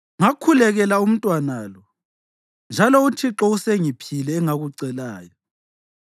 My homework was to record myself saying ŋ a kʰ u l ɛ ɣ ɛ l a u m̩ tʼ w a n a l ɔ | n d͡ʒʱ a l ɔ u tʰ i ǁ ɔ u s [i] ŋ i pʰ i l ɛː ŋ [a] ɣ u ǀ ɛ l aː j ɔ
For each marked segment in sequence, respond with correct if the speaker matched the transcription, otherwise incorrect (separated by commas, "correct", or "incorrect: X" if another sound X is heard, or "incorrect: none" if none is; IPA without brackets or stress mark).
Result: incorrect: e, correct